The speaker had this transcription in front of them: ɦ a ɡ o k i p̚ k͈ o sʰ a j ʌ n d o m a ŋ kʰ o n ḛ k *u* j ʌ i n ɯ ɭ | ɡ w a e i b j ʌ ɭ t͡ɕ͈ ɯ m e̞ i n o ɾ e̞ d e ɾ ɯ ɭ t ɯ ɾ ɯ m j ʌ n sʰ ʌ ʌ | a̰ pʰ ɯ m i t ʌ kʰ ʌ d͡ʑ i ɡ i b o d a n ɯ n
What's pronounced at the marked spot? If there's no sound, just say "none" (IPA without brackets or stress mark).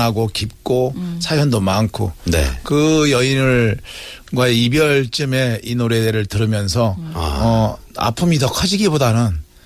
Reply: ɯ